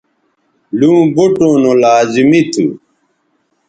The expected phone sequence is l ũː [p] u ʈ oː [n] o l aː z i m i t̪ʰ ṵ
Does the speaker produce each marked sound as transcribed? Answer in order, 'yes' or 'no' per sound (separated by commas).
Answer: no, yes